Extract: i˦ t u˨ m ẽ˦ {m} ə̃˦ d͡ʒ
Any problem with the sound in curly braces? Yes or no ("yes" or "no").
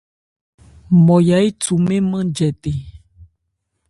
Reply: no